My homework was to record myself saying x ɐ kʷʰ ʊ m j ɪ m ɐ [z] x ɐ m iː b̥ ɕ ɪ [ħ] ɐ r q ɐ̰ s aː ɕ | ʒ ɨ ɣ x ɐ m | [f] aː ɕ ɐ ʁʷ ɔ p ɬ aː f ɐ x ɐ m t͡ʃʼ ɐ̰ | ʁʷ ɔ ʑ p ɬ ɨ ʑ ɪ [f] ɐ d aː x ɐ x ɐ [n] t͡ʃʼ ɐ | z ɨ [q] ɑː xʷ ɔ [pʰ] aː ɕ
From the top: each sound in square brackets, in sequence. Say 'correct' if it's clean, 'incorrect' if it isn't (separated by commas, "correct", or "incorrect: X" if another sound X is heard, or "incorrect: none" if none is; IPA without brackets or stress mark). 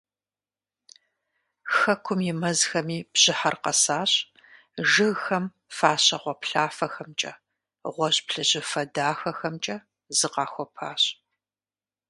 correct, correct, correct, correct, incorrect: m, correct, correct